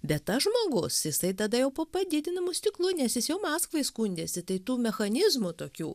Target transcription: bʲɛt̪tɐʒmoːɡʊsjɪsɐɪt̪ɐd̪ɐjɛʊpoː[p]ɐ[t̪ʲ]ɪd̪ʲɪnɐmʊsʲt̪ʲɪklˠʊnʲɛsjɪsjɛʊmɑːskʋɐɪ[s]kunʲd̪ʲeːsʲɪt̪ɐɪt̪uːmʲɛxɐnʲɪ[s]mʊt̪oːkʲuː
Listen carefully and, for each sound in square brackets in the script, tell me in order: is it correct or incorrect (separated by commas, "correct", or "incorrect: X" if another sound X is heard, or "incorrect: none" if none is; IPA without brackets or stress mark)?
correct, incorrect: d̪ʲ, correct, incorrect: z